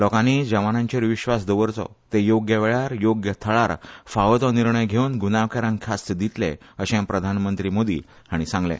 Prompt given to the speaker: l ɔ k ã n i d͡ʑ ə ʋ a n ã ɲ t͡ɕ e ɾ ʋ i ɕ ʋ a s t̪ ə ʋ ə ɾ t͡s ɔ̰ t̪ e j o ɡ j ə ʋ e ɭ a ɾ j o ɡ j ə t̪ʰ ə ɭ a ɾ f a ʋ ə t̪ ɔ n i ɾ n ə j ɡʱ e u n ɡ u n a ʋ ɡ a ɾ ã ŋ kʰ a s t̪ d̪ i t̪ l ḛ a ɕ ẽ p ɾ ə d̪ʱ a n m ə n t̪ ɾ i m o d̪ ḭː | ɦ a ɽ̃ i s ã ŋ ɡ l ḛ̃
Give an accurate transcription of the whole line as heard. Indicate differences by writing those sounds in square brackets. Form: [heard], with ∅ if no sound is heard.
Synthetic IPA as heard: l ɔ k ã n i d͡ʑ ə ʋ a n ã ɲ t͡ɕ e ɾ ʋ i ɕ ʋ a s [d̪] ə ʋ ə ɾ t͡s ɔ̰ t̪ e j o ɡ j ə ʋ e ɭ a ɾ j o ɡ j ə t̪ʰ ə ɭ a ɾ f a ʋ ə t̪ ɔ n i ɾ [ɳ] ə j ɡʱ e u n ɡ u n a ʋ [k] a ɾ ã ŋ kʰ a s t̪ d̪ i t̪ l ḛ [ə] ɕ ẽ p ɾ ə d̪ʱ a n m ə n t̪ ɾ i m o d̪ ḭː | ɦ a ɽ̃ i s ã ŋ ɡ l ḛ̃